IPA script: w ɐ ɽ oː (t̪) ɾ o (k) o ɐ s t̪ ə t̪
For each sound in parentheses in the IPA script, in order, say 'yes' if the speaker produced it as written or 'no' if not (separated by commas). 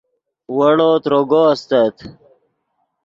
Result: yes, no